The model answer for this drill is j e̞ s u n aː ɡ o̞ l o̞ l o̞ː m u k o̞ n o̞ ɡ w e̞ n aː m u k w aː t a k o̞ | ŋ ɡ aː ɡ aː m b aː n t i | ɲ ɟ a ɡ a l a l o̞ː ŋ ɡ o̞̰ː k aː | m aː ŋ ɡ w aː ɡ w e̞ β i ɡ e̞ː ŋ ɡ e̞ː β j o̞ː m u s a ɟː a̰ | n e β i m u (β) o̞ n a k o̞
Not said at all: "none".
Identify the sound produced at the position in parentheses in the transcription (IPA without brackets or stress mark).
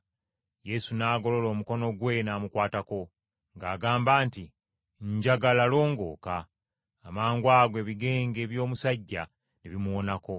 w